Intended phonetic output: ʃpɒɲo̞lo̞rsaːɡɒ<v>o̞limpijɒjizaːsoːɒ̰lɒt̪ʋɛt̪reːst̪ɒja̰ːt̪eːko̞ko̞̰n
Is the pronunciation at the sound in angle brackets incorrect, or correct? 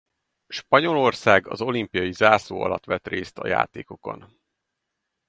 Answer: incorrect